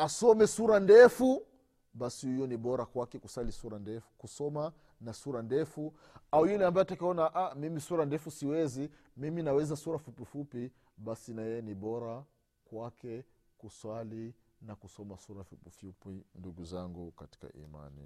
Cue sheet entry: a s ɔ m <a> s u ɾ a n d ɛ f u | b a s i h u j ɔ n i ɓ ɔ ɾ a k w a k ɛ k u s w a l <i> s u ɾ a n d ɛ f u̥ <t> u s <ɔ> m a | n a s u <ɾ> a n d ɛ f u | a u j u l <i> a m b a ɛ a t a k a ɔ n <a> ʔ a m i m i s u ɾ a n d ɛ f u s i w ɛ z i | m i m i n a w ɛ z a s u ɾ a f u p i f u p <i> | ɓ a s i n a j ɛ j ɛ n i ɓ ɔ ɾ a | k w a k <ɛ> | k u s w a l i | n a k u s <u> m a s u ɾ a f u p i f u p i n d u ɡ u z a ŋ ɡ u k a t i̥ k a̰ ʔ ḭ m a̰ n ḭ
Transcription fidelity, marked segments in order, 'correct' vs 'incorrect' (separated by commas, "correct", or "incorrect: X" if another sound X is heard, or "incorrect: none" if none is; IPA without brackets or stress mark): incorrect: ɛ, correct, incorrect: k, correct, correct, incorrect: ɛ, correct, correct, correct, incorrect: ɔ